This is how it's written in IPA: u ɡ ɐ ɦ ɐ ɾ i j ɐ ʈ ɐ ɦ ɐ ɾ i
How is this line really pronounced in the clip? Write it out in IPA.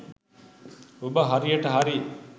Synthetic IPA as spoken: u b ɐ ɦ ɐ ɾ i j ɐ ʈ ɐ ɦ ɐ ɾ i